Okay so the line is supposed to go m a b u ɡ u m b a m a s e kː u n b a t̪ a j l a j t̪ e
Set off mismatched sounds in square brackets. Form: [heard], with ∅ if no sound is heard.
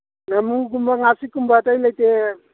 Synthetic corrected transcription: [n] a [m] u ɡ u m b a [ŋ] a s [i] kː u [m] b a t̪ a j l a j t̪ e